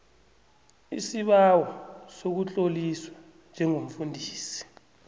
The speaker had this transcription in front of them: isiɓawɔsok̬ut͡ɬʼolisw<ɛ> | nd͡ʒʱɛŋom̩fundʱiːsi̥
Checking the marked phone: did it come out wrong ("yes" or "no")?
yes